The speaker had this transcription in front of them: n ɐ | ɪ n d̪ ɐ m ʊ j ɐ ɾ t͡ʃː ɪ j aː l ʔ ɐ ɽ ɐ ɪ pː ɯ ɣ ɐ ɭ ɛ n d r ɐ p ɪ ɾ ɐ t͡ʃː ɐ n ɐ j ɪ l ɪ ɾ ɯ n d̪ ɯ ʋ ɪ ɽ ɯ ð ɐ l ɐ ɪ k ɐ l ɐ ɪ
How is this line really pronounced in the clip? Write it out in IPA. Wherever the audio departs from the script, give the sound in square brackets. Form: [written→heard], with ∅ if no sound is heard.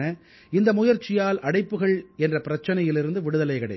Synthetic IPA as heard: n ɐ | ɪ n d̪ ɐ m ʊ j ɐ ɾ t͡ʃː ɪ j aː l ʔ ɐ ɽ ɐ ɪ pː ɯ ɣ ɐ ɭ ɛ n d r ɐ p ɪ ɾ ɐ t͡ʃː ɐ n ɐ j ɪ l ɪ ɾ ɯ n d̪ ɯ ʋ ɪ ɽ ɯ ð ɐ l ɐ ɪ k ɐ [l→ɽ] ɐ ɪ

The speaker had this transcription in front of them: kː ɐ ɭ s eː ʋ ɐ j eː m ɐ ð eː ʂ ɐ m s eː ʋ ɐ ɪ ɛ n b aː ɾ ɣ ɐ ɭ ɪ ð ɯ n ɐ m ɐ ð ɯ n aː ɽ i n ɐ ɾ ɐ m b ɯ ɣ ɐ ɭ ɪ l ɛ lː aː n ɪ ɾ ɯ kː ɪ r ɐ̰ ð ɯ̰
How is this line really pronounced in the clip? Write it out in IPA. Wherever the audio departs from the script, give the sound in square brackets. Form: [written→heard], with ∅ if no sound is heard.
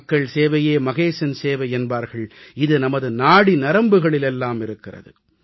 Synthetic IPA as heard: kː ɐ ɭ s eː ʋ ɐ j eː m ɐ [ð→ɣ] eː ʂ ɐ [m→n] s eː ʋ ɐ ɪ ɛ n b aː ɾ ɣ ɐ ɭ ɪ ð ɯ n ɐ m ɐ ð ɯ n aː ɽ i n ɐ ɾ ɐ m b ɯ ɣ ɐ ɭ ɪ l ɛ lː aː [n→m] ɪ ɾ ɯ kː ɪ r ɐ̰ ð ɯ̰

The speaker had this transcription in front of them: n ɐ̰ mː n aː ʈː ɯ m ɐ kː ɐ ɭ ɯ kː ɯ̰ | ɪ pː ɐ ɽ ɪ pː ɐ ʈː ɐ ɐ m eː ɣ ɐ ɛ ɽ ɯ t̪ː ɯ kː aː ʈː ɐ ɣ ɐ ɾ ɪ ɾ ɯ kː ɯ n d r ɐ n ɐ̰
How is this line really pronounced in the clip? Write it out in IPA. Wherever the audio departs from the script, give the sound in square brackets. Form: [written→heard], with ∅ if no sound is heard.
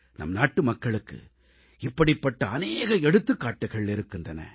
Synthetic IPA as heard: n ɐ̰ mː n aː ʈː ɯ m ɐ kː ɐ ɭ ɯ kː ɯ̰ | ɪ pː ɐ ɽ ɪ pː ɐ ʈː ɐ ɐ [m→n] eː ɣ ɐ ɛ ɽ ɯ t̪ː ɯ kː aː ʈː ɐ ɣ ɐ [ɾ→ɭ] ɪ ɾ ɯ kː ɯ n d r ɐ n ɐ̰

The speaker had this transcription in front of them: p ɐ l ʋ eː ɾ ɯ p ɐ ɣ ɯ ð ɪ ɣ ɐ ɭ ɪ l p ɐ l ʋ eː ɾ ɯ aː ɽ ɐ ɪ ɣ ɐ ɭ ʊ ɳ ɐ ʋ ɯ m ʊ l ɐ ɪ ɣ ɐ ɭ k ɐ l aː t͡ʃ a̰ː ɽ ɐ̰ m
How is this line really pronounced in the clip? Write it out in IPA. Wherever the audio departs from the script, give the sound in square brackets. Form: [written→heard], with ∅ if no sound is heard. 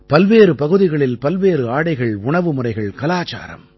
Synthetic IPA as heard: p ɐ l ʋ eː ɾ ɯ p ɐ ɣ ɯ ð ɪ ɣ ɐ ɭ ɪ l p ɐ l ʋ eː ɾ ɯ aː ɽ ɐ ɪ ɣ ɐ ɭ ʊ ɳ ɐ ʋ ɯ m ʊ [l→r] ɐ ɪ ɣ ɐ ɭ k ɐ l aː t͡ʃ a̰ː [ɽ→ɾ] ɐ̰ m

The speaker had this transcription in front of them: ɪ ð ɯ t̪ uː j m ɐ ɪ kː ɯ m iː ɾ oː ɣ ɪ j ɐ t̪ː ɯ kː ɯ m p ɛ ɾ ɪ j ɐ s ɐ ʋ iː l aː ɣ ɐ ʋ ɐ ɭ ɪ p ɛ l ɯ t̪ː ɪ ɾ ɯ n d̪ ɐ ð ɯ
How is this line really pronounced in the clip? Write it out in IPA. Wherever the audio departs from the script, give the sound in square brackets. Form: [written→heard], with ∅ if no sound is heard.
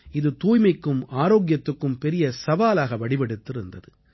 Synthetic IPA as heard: ɪ ð ɯ t̪ uː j m ɐ ɪ kː ɯ m [iː→aː] ɾ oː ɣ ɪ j ɐ t̪ː ɯ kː ɯ m p ɛ ɾ ɪ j ɐ s ɐ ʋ [iː→aː] l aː ɣ ɐ ʋ ɐ [ɭ→ɽ] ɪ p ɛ [l→ɽ] ɯ t̪ː ɪ ɾ ɯ n d̪ ɐ ð ɯ

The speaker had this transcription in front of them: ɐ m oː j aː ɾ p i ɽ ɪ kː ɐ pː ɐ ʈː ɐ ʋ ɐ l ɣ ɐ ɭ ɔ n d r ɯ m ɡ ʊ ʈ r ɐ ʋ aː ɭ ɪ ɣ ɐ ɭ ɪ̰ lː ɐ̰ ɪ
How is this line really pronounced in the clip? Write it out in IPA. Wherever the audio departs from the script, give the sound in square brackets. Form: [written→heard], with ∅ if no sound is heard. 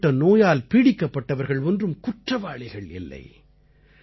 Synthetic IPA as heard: ɐ [m→n] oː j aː [ɾ→l] p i ɽ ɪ kː ɐ pː ɐ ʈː ɐ ʋ ɐ [l→ɾ] ɣ ɐ ɭ ɔ n d r ɯ m [ɡ→k] ʊ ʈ r ɐ ʋ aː ɭ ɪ ɣ ɐ ɭ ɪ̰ lː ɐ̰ ɪ

